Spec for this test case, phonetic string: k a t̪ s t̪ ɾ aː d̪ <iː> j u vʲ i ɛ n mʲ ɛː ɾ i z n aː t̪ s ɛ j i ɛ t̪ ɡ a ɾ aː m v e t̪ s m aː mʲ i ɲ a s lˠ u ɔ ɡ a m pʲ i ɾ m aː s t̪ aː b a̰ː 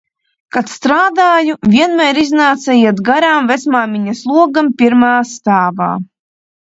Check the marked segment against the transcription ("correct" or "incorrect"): incorrect